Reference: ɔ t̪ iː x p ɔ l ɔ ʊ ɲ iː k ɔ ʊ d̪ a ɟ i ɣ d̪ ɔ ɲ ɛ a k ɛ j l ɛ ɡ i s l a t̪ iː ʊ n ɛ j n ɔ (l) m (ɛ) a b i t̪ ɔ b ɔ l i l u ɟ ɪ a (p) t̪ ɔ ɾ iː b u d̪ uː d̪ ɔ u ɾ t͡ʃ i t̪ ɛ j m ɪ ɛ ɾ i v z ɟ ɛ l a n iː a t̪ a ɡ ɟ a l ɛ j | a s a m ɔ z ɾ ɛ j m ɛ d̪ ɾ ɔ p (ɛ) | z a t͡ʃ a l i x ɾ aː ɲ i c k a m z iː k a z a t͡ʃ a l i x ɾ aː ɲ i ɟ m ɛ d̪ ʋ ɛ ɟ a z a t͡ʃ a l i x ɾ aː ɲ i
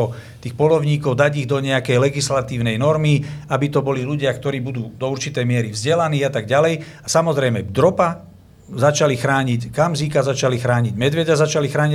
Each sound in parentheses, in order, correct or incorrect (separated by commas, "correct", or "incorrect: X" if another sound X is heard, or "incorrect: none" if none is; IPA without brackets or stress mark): incorrect: ɾ, incorrect: i, incorrect: k, incorrect: a